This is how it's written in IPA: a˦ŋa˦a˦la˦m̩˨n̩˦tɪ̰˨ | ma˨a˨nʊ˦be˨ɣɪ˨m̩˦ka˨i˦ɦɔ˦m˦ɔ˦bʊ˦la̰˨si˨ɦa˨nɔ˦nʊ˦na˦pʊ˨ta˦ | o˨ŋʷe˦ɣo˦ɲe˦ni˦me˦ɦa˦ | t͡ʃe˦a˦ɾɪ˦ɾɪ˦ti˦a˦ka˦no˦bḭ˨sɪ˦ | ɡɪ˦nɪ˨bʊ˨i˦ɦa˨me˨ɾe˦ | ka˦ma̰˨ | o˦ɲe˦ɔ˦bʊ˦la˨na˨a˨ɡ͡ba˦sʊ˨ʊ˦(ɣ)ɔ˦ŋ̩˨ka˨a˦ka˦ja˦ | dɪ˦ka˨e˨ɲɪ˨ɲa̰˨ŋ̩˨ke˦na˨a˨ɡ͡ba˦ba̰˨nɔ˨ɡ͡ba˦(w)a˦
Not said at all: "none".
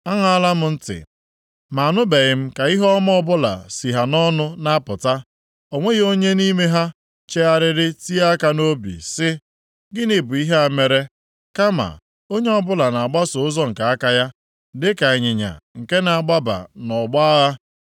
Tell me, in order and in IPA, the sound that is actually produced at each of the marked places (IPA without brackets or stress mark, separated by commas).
z, ɣ